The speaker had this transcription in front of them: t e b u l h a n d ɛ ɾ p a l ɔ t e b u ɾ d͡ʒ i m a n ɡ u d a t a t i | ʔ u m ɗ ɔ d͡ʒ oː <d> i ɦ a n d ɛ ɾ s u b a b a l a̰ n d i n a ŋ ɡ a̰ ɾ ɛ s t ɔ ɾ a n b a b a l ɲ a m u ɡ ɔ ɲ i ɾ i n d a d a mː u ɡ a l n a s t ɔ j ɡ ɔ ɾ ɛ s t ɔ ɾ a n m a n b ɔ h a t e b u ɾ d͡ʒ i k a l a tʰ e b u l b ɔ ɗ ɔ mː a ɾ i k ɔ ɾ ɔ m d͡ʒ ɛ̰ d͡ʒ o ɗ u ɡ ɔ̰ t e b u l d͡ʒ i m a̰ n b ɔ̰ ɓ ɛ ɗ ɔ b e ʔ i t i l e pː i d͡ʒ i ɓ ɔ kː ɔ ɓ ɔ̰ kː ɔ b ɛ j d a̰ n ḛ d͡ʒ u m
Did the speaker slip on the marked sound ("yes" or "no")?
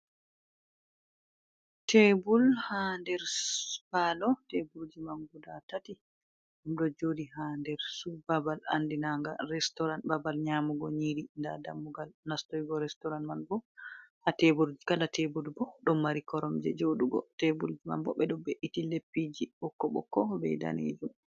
no